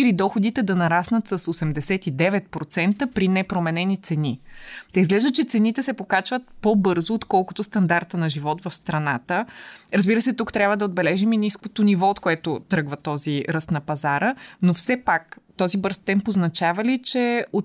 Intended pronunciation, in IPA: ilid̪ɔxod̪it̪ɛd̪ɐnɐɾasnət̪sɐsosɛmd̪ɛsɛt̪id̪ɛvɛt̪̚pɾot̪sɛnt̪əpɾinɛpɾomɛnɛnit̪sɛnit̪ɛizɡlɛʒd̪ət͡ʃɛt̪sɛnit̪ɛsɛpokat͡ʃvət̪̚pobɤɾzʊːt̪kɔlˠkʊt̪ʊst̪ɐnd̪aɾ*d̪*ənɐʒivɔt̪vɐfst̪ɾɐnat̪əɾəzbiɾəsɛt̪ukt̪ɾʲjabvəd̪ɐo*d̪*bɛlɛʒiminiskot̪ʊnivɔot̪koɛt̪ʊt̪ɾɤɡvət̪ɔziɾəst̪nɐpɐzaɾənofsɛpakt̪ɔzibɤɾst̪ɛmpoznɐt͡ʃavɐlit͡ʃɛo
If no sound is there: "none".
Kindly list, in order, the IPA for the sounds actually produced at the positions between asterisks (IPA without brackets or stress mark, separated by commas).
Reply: t̪, d̪